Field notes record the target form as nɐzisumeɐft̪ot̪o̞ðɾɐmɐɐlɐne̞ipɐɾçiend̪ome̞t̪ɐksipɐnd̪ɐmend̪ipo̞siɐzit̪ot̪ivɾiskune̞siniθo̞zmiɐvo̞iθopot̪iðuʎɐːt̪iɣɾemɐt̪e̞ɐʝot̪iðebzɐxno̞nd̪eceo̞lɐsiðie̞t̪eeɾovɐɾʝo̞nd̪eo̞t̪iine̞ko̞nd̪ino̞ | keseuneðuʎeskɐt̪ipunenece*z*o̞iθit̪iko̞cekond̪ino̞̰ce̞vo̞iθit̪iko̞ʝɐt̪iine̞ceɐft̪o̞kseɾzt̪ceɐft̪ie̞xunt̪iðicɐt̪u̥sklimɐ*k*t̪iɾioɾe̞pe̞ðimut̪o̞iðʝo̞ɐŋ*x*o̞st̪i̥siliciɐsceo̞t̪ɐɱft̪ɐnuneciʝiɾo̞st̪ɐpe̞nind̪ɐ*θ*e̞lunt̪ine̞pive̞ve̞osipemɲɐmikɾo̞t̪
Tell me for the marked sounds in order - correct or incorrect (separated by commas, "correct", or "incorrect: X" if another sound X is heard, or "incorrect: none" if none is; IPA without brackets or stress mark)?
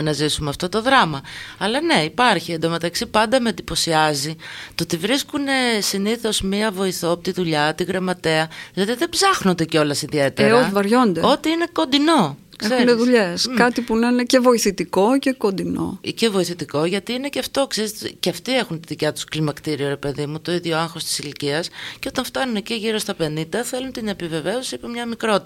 incorrect: v, correct, correct, correct